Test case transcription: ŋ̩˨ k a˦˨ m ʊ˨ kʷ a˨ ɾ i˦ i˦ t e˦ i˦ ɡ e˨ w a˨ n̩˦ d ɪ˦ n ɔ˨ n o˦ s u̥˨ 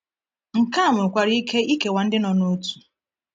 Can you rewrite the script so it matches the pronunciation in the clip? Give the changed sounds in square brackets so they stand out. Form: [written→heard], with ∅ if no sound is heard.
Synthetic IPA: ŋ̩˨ k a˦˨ m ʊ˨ kʷ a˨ ɾ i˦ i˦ [t→k] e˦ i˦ [ɡ→k] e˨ w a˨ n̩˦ d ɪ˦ n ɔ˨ n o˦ [s→t] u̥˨